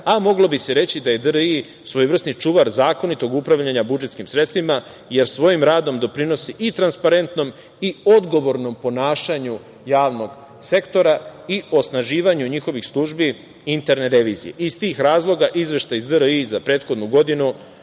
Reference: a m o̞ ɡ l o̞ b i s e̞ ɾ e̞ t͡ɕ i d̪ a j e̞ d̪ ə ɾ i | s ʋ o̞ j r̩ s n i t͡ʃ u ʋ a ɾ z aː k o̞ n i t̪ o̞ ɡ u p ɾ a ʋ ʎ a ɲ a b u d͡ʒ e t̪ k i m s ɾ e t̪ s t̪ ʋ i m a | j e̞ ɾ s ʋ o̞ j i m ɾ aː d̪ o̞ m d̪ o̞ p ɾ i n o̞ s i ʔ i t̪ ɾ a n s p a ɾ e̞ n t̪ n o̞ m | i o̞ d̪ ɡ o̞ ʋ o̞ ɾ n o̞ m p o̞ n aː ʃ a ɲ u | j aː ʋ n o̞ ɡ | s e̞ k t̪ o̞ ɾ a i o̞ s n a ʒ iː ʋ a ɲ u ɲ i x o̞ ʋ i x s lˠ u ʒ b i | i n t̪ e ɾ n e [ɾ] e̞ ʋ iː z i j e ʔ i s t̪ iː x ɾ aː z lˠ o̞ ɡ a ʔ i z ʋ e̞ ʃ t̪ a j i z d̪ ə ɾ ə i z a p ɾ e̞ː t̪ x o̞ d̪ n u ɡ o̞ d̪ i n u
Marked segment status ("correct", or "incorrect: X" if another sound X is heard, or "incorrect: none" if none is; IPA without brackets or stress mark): correct